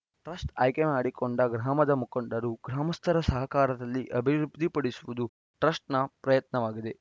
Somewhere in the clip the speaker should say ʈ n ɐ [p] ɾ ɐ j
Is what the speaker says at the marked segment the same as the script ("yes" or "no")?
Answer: yes